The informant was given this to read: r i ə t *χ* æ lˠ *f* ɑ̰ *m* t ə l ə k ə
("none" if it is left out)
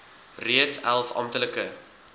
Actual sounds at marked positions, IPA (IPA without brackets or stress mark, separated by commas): s, f, m